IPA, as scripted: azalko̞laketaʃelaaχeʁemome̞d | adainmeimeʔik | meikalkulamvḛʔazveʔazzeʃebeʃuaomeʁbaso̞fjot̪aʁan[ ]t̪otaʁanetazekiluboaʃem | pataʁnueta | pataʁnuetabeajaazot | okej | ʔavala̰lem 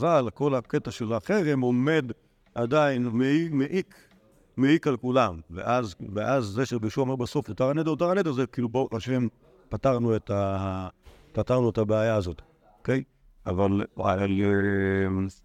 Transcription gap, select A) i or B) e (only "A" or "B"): B